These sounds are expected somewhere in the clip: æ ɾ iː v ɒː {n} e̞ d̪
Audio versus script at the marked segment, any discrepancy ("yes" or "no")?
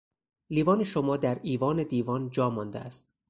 no